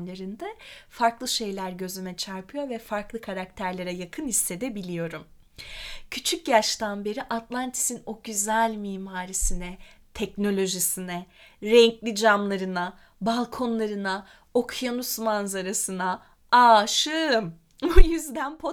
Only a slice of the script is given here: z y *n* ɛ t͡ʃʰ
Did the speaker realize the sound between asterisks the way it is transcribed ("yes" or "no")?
no